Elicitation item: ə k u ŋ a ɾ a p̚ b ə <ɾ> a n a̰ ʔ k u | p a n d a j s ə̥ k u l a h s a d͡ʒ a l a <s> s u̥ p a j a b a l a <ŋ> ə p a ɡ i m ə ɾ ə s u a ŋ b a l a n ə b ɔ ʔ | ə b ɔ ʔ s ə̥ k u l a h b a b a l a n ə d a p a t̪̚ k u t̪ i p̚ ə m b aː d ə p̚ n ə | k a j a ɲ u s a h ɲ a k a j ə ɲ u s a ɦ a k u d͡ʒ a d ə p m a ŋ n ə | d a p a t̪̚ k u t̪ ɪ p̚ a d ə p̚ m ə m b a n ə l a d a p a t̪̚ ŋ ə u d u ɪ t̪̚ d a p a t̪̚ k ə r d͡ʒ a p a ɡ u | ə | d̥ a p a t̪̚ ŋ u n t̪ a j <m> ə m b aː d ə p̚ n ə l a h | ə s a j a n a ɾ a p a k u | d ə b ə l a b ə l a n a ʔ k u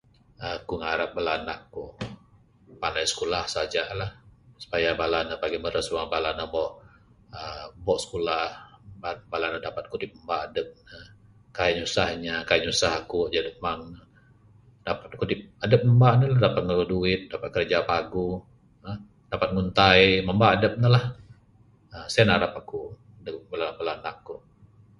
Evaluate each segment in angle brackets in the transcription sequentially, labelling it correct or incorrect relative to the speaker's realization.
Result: incorrect: l, incorrect: h, incorrect: n, correct

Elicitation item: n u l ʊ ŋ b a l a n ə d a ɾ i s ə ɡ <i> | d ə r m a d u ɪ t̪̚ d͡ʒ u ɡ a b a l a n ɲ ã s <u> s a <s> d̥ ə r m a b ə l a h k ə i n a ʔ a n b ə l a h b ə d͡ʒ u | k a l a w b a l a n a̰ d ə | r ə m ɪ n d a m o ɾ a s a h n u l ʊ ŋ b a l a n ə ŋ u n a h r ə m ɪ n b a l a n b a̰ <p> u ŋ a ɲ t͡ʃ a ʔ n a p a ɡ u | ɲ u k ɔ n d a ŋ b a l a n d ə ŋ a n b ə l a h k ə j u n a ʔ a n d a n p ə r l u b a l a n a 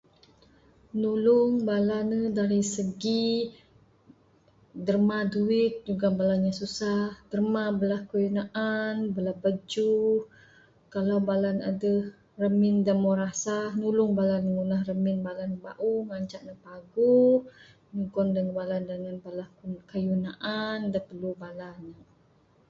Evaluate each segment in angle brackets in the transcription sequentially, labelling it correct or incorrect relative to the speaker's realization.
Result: correct, correct, incorrect: h, incorrect: ʔ

